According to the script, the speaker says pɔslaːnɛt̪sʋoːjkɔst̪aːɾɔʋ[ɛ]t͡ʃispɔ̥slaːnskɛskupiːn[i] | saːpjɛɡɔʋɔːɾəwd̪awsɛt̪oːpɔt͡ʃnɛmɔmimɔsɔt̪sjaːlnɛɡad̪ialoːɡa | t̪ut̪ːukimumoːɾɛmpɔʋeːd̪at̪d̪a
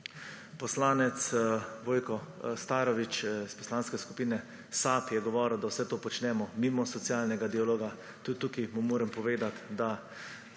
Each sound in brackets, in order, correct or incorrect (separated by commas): incorrect, incorrect